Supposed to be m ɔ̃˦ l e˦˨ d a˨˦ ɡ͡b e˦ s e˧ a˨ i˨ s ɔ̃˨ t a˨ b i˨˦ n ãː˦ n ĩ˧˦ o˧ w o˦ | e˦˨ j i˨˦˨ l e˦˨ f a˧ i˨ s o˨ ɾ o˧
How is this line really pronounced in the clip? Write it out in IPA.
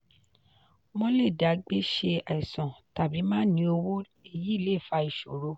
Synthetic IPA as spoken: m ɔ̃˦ l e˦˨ d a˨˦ ɡ͡b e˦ ʃ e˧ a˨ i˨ s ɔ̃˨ t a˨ b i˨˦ m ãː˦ n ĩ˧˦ o˧ w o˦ | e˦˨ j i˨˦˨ l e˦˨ f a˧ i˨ ʃ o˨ ɾ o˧